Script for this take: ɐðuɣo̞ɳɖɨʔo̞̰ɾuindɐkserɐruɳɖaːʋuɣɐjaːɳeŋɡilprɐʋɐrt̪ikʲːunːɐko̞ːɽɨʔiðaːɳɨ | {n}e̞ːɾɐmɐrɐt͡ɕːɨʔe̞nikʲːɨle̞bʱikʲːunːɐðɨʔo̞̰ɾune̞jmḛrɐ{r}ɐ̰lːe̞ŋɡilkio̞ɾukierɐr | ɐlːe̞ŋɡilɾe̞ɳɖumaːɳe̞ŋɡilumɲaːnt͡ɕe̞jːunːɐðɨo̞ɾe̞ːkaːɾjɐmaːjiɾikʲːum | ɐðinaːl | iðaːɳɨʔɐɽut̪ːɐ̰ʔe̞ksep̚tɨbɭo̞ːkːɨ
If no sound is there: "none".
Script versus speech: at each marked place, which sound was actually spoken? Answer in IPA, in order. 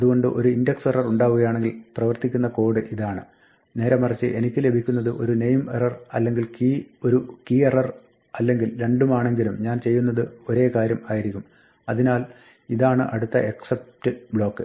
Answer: n, r

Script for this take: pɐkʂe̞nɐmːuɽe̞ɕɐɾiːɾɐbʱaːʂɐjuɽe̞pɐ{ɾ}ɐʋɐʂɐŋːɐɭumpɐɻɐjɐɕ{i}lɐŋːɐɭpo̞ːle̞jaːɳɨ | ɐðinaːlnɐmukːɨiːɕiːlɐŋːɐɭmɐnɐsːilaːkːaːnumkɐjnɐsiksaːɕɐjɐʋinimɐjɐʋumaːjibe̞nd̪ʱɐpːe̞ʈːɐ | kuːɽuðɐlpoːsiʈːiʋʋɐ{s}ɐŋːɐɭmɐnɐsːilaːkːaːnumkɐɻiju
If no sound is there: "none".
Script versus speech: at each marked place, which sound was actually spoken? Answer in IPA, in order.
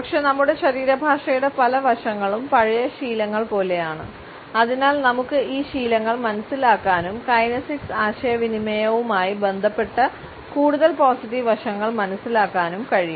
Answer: l, iː, ʂ

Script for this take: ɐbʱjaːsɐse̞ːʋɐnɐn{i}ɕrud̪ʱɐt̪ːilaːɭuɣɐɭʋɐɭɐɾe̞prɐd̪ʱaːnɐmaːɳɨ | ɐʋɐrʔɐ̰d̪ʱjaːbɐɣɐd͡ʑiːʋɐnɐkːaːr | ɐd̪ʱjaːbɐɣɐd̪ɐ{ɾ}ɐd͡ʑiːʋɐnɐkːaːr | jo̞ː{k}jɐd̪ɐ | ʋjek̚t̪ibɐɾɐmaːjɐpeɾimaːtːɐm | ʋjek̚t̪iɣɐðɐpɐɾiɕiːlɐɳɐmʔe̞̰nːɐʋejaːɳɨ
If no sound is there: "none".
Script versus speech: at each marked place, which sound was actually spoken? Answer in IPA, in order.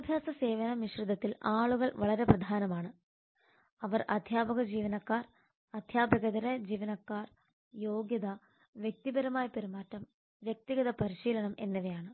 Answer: i, ɾ, ɡ

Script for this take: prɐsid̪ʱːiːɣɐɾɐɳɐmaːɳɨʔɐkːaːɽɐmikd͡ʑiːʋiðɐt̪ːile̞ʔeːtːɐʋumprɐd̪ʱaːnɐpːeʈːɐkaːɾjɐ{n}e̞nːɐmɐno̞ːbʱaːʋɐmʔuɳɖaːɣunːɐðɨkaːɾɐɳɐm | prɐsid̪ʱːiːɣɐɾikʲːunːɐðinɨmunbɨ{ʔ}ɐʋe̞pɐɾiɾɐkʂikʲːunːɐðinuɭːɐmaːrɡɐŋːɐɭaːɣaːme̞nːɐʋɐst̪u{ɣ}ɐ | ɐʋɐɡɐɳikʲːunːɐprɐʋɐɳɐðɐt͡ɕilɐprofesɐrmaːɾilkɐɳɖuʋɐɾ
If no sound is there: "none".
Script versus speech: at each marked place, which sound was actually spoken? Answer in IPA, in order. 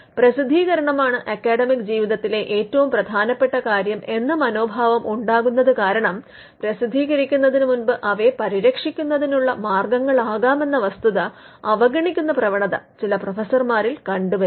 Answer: m, ʔ, ð

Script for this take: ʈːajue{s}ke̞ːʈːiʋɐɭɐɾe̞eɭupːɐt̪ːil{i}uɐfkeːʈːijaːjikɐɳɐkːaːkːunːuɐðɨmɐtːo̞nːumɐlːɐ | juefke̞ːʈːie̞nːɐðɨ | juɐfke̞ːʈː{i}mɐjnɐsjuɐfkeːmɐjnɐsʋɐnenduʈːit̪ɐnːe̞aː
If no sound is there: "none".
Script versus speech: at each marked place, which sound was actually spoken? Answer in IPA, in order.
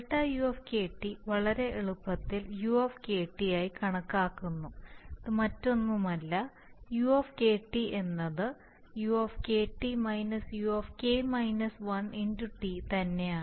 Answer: f, j, i

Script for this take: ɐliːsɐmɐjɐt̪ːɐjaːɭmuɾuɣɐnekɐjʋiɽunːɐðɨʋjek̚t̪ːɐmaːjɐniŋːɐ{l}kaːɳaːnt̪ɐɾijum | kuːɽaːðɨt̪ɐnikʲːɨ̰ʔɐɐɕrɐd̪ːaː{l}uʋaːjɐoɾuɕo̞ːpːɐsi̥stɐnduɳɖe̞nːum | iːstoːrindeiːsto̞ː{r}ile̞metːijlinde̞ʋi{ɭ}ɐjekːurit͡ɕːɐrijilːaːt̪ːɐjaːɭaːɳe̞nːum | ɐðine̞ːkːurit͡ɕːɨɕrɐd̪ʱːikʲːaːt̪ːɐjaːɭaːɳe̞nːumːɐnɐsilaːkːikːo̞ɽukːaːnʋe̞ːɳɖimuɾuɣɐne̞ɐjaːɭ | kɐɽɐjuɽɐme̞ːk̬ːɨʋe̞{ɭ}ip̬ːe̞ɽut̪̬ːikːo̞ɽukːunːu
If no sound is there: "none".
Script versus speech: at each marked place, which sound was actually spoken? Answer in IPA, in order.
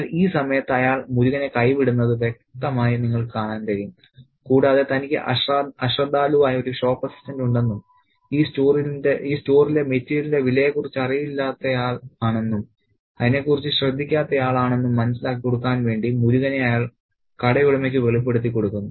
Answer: ɭ, l, r, l, ɭ

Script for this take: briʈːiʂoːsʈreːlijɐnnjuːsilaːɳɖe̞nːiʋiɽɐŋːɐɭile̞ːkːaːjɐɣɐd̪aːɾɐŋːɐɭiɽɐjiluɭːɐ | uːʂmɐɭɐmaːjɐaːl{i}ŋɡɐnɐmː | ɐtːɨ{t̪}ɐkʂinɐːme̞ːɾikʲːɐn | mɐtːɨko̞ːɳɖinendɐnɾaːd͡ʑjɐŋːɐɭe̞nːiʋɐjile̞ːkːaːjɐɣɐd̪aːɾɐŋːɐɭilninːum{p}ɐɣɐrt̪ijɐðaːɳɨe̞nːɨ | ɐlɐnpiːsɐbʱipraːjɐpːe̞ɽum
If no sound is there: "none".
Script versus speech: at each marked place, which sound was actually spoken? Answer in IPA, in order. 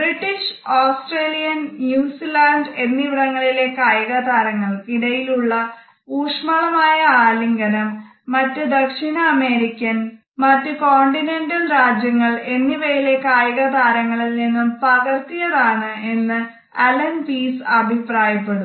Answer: i, d̪, p

